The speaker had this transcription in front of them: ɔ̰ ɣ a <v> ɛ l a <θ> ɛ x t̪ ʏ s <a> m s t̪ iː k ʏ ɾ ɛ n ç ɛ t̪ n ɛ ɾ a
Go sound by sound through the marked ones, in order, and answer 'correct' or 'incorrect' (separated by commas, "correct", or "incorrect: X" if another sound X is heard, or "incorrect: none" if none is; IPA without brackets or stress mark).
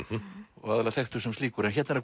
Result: incorrect: ð, correct, incorrect: ɛ